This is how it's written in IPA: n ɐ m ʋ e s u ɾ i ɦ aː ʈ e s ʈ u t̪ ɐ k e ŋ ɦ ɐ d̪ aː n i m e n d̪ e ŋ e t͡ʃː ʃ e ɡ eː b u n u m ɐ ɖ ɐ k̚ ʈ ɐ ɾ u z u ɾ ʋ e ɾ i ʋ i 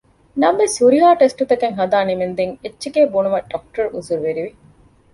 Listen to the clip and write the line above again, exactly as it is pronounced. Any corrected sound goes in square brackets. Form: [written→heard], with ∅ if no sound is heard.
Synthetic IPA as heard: n ɐ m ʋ e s u ɾ i ɦ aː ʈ e s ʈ u t̪ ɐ k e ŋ ɦ ɐ d̪ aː n i m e n d̪ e ŋ e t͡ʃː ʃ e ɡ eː b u n u m ɐ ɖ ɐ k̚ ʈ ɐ ɾ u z u ɾ ʋ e ɾ i ʋ i